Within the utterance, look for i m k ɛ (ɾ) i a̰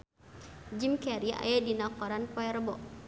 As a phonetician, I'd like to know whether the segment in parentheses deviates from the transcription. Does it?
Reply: no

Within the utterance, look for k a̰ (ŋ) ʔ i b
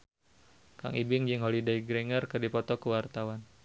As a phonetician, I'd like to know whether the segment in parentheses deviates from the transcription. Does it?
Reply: no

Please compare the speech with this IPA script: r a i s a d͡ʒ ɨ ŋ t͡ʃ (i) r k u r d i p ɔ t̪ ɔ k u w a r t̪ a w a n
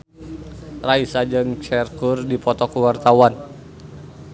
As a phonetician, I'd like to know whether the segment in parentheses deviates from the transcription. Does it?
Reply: yes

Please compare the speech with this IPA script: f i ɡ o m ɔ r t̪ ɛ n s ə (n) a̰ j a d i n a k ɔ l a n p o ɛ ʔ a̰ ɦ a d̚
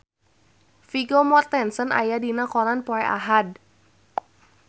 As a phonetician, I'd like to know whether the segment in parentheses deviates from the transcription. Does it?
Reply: no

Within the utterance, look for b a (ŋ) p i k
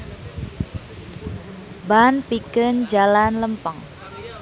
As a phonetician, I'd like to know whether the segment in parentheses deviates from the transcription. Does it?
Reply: yes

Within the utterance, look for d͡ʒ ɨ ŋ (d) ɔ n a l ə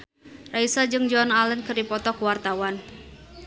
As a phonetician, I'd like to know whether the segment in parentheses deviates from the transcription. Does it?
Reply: yes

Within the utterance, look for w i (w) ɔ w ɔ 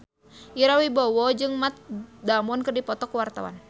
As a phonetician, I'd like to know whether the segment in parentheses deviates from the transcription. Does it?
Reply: yes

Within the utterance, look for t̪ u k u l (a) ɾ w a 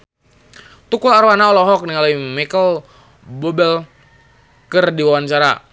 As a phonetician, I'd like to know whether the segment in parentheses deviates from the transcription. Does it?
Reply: no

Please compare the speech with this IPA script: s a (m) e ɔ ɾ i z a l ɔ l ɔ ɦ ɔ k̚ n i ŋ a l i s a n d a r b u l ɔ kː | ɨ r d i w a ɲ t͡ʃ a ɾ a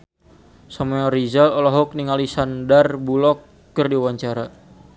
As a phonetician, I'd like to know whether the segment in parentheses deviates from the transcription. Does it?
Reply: no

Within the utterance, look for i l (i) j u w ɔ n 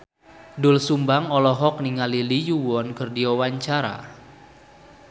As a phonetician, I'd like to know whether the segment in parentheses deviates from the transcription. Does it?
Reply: no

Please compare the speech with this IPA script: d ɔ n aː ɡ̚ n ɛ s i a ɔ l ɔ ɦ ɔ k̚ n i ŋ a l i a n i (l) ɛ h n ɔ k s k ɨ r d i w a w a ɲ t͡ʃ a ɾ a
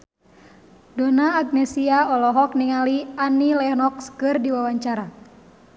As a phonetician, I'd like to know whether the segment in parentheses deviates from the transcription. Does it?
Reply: no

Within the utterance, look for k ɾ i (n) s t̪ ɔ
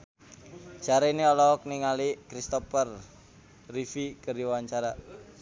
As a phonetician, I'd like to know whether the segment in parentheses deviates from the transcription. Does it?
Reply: yes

